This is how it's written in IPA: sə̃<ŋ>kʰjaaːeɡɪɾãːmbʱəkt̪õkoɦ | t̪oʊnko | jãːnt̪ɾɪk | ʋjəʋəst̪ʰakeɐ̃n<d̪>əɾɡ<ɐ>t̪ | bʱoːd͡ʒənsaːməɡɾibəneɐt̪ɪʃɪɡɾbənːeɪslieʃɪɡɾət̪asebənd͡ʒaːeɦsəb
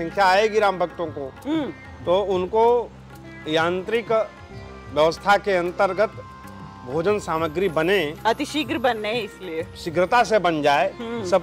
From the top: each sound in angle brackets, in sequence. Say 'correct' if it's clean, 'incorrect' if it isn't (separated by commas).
correct, incorrect, incorrect